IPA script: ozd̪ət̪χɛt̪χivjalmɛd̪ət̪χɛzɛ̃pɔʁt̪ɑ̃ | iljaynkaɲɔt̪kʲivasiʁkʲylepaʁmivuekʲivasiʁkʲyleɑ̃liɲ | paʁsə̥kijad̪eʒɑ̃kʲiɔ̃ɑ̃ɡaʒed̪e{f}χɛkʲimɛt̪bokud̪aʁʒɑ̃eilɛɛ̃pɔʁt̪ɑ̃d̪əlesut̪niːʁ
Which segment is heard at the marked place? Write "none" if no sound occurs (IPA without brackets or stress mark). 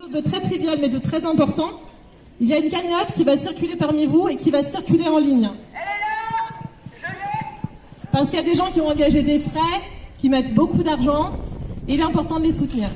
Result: f